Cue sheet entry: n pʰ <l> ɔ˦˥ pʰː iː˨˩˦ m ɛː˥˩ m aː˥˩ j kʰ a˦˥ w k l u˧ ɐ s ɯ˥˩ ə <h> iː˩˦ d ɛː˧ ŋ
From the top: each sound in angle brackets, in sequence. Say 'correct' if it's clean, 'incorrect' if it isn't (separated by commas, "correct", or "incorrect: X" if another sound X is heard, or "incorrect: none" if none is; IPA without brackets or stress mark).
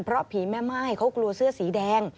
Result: incorrect: ɾ, incorrect: s